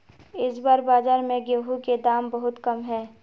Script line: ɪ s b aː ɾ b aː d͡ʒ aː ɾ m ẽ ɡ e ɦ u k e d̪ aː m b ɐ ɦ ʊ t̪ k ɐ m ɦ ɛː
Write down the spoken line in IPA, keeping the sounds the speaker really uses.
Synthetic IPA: ɪ s b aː ɾ b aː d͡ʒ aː ɾ m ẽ ɡ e ɦ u k e d̪ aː m b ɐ ɦ ʊ t̪ k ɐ m ɦ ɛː